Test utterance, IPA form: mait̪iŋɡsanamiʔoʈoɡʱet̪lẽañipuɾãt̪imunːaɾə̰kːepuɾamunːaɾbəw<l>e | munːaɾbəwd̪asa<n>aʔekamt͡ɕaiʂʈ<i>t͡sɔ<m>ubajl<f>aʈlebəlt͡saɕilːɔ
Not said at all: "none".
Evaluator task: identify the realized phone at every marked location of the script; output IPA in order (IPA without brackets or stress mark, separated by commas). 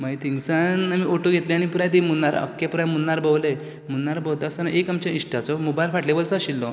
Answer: l, n, a, m, f